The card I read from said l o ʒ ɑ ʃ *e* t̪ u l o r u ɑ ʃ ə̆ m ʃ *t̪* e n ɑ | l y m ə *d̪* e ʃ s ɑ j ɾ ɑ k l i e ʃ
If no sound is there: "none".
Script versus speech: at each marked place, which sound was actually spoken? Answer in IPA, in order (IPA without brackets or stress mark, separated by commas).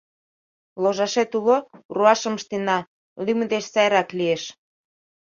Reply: e, t̪, d̪